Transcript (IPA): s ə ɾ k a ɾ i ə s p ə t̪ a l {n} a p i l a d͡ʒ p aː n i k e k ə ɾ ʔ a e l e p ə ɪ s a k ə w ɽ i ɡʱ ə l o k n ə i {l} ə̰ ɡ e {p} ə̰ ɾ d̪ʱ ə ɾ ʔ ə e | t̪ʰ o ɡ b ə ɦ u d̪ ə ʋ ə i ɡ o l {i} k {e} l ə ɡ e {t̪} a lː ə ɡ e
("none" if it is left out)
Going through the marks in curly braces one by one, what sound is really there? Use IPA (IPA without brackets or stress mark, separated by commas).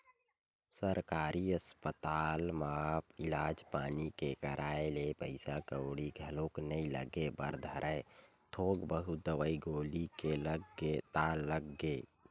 m, l, b, i, e, t̪